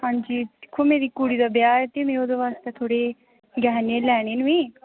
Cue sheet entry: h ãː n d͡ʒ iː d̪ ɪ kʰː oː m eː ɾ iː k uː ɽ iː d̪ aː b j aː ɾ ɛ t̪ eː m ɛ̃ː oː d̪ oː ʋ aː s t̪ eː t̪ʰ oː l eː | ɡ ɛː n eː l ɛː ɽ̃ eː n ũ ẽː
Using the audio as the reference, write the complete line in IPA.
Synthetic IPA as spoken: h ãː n d͡ʒ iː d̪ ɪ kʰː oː m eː ɾ iː k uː ɽ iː d̪ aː b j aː ɾ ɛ t̪ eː m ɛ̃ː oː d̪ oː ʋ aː s t̪ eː t̪ʰ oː ɽ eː | ɡ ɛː n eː l ɛː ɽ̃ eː n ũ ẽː